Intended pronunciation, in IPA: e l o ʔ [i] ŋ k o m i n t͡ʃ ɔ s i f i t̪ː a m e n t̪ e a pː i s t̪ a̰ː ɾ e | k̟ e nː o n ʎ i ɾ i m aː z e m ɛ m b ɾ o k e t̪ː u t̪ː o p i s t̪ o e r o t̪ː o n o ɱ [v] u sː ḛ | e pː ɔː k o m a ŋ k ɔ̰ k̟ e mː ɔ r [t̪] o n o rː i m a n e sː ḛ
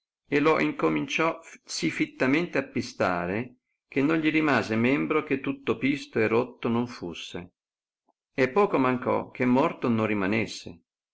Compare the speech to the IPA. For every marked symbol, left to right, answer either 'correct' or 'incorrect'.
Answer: correct, incorrect, correct

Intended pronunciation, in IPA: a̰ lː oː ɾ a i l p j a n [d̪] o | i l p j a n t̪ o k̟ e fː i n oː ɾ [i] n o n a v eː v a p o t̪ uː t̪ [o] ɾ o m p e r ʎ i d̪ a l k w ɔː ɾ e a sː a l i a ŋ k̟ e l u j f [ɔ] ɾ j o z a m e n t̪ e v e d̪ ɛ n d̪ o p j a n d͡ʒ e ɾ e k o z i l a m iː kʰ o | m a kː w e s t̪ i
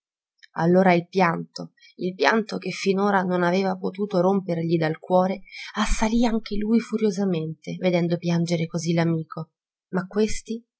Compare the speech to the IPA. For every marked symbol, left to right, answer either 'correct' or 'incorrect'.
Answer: incorrect, incorrect, correct, incorrect

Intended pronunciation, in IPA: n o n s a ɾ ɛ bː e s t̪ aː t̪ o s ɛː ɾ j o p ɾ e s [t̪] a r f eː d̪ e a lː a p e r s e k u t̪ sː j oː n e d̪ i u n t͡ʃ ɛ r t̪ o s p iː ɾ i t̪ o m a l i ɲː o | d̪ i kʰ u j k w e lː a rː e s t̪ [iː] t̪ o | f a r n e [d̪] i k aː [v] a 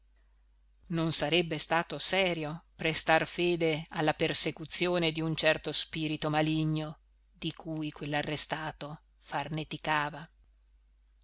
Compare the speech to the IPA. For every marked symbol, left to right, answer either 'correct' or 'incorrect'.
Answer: correct, incorrect, incorrect, correct

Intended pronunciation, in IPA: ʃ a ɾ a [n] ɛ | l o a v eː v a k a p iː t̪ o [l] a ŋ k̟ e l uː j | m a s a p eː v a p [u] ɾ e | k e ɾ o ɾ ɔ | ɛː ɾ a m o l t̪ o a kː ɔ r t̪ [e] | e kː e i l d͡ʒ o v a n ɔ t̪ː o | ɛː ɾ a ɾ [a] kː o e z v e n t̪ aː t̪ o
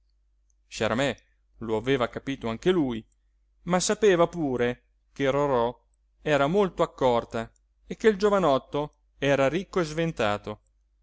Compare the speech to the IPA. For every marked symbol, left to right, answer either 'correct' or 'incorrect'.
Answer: incorrect, incorrect, incorrect, incorrect, incorrect

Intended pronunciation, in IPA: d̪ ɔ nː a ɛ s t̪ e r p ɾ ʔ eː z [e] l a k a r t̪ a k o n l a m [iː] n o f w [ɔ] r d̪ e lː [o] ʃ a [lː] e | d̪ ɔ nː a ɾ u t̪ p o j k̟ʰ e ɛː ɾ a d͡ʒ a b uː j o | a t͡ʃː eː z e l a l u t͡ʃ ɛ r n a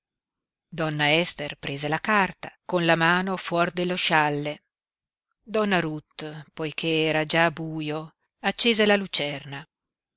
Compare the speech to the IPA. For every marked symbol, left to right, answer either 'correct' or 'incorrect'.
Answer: correct, incorrect, correct, correct, correct

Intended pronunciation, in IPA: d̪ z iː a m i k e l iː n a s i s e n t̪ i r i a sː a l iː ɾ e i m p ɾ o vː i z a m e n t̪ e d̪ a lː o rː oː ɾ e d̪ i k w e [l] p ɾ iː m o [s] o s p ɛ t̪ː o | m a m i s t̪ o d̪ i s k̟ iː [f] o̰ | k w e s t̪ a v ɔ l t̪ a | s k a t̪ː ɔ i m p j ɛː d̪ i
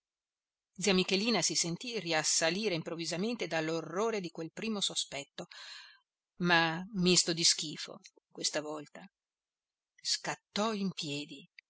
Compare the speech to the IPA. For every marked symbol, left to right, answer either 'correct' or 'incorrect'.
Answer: correct, correct, correct

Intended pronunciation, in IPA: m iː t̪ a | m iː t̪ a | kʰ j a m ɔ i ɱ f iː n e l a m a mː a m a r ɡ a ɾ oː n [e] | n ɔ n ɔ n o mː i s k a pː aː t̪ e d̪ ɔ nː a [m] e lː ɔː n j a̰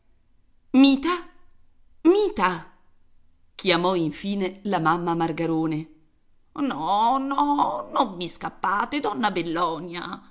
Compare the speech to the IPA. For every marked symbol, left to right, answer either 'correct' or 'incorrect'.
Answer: correct, incorrect

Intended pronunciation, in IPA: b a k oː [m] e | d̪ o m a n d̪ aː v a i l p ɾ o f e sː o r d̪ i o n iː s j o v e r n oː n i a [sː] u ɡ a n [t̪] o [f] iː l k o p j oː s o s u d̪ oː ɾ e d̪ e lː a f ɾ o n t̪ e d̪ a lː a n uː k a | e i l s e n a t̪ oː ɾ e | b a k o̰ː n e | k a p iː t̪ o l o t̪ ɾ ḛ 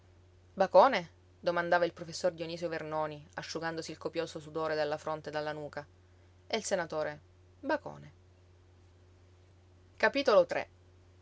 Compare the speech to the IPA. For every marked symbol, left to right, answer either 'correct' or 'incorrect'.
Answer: incorrect, incorrect, incorrect, incorrect

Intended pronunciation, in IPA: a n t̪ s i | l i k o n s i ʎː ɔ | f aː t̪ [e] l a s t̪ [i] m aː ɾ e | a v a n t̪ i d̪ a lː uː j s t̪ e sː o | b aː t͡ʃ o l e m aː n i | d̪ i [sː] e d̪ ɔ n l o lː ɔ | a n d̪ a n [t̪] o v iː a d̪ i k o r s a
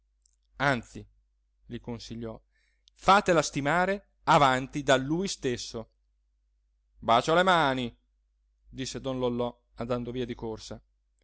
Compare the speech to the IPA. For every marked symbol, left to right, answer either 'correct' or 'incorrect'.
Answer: correct, correct, correct, incorrect

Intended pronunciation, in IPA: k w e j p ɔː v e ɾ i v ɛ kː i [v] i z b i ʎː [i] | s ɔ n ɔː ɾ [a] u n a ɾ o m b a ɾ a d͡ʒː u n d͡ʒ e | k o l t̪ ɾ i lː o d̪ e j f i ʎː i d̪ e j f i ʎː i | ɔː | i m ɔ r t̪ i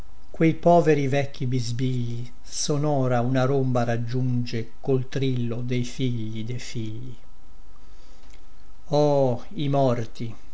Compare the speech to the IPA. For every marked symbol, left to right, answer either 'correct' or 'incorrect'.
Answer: incorrect, correct, correct

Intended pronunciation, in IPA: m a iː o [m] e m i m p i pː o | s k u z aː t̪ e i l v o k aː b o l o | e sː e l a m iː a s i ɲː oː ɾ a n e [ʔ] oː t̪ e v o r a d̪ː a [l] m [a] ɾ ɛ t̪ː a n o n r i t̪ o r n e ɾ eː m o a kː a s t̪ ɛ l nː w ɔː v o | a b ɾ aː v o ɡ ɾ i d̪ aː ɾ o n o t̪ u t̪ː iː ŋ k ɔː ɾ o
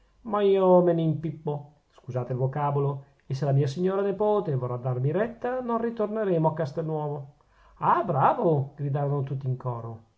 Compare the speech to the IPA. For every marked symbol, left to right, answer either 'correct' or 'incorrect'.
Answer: correct, incorrect, incorrect, incorrect

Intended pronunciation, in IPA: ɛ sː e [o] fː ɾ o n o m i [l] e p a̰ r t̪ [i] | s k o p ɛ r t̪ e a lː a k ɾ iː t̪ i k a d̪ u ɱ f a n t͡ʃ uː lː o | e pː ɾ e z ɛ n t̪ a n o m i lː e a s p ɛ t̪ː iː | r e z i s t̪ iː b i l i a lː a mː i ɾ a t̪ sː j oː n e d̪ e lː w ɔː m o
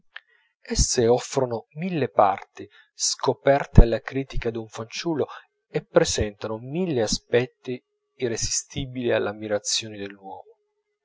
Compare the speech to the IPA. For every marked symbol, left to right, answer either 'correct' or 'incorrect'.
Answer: incorrect, incorrect, correct

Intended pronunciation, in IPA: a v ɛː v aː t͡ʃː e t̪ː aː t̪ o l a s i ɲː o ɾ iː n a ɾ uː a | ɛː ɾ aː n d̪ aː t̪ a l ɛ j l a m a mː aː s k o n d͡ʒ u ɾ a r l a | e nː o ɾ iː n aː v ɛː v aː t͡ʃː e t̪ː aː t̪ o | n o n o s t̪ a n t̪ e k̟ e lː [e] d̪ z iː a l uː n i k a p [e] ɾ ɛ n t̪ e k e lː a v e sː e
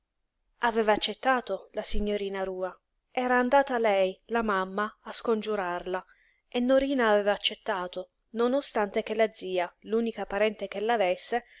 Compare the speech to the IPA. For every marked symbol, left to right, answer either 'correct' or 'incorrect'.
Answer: incorrect, incorrect

